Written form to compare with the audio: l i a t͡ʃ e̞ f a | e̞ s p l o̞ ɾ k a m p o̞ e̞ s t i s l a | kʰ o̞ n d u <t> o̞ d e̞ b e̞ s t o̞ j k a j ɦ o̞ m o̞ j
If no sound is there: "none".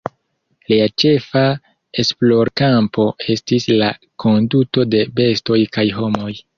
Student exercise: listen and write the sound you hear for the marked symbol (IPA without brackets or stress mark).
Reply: t